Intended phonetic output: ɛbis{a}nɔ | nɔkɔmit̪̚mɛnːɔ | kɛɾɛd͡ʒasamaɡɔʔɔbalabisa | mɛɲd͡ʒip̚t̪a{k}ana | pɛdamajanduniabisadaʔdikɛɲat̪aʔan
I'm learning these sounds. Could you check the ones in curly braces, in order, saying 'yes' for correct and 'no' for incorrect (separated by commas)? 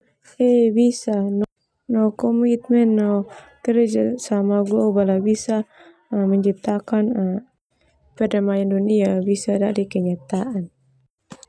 yes, yes